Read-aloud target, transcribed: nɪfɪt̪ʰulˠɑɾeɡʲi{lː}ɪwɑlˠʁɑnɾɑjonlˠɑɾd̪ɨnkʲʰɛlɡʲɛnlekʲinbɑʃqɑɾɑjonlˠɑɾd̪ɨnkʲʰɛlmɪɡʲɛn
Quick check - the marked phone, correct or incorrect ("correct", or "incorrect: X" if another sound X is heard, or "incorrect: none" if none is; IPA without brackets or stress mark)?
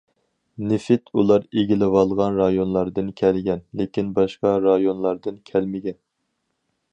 incorrect: l